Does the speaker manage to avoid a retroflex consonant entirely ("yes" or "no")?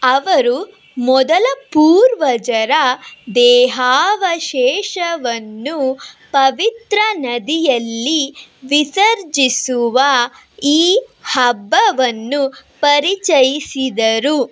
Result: yes